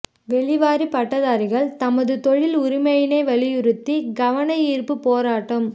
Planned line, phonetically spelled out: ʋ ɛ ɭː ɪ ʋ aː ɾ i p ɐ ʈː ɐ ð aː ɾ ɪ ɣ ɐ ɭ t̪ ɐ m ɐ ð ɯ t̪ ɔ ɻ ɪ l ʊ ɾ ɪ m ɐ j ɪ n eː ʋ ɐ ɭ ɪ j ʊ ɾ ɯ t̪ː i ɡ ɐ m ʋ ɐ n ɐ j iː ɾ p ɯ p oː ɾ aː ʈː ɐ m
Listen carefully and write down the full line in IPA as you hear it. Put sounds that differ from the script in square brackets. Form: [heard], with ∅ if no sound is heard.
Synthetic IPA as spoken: ʋ ɛ [ɭ] ɪ ʋ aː ɾ i p ɐ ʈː ɐ ð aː ɾ ɪ ɣ ɐ ɭ t̪ ɐ m ɐ ð ɯ t̪ ɔ ɻ ɪ l ʊ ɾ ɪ m ɐ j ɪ n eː ʋ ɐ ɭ ɪ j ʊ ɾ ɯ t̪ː i ɡ ɐ [∅] ʋ ɐ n ɐ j iː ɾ p ɯ p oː ɾ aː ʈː ɐ m